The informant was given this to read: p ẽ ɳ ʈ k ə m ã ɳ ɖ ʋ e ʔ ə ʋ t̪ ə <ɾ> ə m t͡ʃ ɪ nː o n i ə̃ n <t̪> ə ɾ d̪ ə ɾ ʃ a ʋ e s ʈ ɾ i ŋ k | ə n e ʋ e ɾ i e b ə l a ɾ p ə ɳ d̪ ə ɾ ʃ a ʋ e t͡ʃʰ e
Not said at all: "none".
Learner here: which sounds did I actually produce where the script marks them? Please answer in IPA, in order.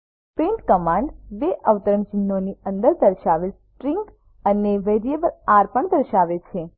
ɾ, d̪

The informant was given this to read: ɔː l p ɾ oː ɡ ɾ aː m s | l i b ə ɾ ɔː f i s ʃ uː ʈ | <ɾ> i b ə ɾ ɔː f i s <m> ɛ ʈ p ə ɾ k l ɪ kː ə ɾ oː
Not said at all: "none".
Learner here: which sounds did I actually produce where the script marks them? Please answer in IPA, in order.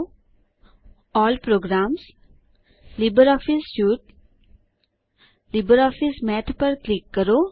l, m

